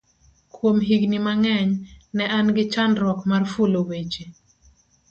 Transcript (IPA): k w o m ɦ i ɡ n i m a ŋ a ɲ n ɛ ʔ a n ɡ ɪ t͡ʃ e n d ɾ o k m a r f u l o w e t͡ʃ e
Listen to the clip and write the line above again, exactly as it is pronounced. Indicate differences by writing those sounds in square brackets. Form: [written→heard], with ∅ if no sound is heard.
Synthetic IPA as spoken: k w o m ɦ i ɡ n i m a ŋ [a→ɛ] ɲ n ɛ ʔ a n ɡ ɪ t͡ʃ [e→a] n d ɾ [o→ɔ] k m a r f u l o w e t͡ʃ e